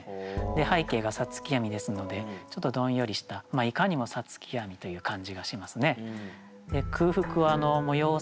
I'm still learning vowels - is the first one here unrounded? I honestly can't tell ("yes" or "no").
yes